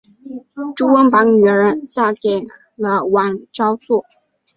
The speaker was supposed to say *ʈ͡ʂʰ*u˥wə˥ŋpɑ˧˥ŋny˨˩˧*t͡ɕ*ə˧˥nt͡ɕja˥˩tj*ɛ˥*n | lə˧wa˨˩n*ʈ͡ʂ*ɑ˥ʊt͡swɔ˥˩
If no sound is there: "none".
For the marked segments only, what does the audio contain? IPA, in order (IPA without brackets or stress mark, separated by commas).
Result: ʈ͡ʂ, none, ɛ˨˩, ʈ͡ʂ